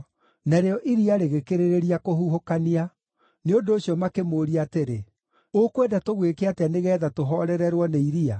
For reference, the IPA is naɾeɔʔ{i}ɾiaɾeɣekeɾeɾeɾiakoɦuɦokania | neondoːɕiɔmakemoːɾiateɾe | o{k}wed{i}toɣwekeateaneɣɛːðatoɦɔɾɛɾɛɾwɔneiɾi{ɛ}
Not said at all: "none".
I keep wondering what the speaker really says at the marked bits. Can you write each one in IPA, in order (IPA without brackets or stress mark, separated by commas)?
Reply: i, k, a, a